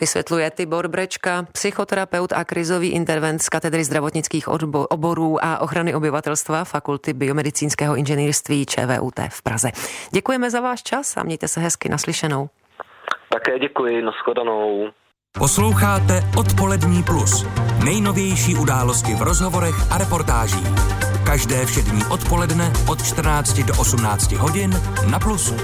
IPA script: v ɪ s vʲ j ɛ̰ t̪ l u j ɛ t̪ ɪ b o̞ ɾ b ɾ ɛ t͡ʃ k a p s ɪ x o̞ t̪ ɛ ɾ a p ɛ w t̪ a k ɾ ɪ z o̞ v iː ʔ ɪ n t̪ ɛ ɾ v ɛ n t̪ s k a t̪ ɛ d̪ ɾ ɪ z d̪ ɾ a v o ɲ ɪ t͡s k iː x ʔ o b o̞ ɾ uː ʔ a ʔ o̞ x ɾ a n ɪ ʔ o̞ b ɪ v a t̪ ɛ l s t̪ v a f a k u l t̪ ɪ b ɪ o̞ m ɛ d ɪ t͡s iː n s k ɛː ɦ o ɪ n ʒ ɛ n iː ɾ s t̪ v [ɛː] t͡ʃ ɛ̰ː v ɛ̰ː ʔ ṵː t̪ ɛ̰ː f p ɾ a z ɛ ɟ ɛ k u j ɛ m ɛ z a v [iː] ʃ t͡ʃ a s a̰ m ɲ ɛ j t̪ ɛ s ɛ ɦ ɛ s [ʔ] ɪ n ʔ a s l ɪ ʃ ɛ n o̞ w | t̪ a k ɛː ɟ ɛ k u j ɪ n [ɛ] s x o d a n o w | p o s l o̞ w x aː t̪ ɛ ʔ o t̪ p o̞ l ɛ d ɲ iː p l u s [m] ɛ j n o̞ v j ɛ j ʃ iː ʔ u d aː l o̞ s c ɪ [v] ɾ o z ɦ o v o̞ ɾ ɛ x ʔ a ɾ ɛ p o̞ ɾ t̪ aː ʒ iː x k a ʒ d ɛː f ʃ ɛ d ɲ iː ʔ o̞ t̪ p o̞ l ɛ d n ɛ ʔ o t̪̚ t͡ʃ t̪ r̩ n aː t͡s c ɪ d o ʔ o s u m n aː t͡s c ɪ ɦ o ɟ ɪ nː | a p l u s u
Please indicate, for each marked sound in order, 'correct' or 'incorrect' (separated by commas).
incorrect, incorrect, incorrect, incorrect, incorrect, correct